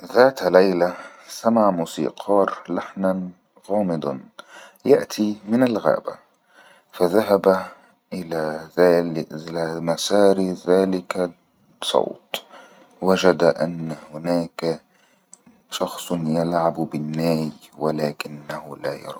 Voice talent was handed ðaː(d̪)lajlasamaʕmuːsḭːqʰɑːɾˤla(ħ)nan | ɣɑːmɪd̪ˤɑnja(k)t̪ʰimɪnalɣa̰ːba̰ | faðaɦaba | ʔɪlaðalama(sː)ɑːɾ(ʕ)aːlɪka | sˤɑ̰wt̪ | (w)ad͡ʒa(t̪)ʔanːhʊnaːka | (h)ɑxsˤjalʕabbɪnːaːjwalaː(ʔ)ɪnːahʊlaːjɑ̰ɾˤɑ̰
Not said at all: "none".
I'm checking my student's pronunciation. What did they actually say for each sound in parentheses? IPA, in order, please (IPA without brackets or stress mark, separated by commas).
t̪, ħ, ʔ, s, ð, w, d̪, ʃ, k